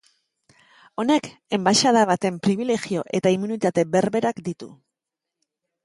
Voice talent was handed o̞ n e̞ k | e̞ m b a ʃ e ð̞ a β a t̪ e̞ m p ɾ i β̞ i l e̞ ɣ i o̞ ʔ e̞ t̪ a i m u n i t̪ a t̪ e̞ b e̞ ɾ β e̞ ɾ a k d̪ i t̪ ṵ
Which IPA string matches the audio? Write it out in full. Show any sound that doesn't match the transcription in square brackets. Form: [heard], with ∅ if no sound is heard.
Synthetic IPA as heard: o̞ n e̞ k | e̞ m b a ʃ [a] ð̞ a β a t̪ e̞ m p ɾ i β̞ i l e̞ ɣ i o̞ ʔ e̞ t̪ a i m u n i t̪ a t̪ e̞ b e̞ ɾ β e̞ ɾ a k d̪ i t̪ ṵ